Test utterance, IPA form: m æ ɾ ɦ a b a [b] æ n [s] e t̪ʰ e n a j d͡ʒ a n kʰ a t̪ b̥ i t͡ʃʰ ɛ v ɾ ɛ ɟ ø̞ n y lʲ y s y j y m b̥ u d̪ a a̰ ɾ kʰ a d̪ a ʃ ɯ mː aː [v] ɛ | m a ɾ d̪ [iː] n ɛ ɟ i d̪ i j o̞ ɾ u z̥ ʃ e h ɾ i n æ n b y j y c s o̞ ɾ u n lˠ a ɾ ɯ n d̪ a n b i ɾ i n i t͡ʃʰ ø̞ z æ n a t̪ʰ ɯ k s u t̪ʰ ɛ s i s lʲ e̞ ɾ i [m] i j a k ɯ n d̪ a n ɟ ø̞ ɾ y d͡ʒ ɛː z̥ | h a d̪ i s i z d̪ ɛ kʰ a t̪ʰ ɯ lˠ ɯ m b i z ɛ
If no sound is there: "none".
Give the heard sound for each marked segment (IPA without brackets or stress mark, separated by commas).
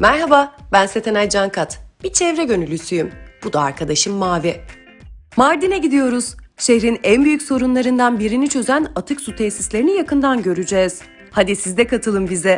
b, s, v, i, n